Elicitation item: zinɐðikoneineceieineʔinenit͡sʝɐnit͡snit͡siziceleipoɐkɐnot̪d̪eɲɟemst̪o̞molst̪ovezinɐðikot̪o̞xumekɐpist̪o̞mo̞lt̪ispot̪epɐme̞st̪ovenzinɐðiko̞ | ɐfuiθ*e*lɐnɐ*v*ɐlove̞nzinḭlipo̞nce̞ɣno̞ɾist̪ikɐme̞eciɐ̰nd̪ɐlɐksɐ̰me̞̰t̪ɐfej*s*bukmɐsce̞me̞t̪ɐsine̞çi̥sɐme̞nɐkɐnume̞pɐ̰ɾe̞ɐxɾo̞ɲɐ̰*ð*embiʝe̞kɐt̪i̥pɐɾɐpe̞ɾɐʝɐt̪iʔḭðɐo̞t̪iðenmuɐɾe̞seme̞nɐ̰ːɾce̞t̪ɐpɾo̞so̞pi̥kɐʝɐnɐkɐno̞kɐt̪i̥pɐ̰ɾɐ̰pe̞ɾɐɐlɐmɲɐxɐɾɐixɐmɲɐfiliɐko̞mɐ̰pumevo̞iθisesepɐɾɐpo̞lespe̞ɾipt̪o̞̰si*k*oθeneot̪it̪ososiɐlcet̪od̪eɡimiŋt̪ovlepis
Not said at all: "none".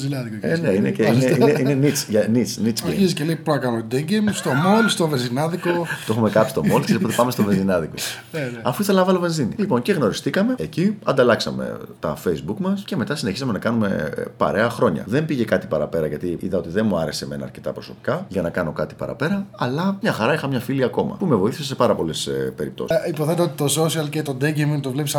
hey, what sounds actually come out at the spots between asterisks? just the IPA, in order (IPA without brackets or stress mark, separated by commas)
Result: e, v, z, ð, p